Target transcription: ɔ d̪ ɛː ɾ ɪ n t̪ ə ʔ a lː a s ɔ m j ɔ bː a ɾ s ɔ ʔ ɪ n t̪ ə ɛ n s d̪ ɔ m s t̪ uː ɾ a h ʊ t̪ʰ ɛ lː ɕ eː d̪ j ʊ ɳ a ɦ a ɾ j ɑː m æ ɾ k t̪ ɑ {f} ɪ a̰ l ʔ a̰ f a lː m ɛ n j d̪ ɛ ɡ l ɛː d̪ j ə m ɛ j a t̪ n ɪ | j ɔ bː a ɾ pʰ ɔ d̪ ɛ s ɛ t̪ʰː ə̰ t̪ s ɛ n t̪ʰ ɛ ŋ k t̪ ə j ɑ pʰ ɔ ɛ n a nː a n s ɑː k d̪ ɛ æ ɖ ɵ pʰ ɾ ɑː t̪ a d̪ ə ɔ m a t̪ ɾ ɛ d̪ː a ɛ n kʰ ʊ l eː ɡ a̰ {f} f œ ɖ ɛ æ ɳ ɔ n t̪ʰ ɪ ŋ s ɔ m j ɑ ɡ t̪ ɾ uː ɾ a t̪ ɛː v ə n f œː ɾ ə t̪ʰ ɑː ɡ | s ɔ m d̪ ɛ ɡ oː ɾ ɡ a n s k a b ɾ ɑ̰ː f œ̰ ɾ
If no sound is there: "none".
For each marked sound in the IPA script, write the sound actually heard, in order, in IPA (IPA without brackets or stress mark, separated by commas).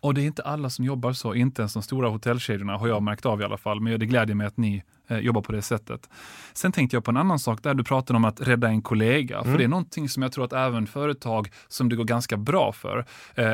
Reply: v, f